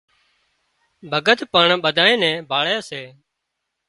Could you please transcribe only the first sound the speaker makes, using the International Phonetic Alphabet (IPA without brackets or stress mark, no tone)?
bʱ